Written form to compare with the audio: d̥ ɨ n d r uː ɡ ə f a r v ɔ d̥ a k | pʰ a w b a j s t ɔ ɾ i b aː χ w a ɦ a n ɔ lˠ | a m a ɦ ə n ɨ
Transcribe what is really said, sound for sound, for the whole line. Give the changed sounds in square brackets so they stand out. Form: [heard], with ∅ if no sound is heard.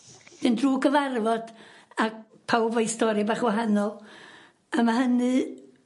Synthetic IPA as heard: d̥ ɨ n d r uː ɡ ə [v] a r v ɔ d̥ a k | pʰ a w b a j s t ɔ ɾ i b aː χ w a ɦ a n ɔ lˠ | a m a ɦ ə n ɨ